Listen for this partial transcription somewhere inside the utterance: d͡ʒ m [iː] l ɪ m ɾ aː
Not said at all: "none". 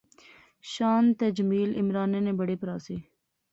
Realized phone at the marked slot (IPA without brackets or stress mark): iː